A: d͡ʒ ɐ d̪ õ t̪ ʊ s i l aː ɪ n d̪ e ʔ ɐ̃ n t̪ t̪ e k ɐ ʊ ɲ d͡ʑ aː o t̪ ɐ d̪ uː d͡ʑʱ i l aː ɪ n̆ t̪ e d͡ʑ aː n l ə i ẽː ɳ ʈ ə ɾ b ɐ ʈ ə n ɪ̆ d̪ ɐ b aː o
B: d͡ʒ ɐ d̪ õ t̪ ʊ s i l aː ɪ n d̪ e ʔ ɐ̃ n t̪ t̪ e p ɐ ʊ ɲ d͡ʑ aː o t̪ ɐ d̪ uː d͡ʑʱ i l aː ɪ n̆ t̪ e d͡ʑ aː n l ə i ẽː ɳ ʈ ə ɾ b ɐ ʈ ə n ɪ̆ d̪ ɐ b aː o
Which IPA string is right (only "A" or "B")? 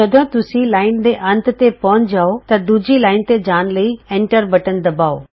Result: B